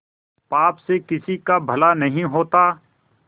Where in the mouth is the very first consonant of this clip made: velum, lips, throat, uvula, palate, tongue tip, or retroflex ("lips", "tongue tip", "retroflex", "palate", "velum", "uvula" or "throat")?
lips